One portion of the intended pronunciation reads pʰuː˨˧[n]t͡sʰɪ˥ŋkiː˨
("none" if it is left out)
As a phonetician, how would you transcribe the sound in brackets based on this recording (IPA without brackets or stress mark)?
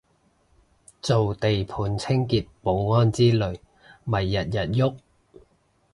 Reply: n